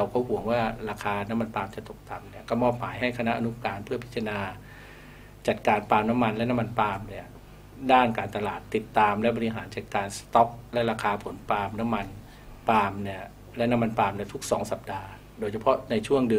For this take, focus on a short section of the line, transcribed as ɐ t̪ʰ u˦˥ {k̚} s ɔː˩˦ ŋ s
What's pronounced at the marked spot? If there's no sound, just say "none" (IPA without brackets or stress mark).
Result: k̚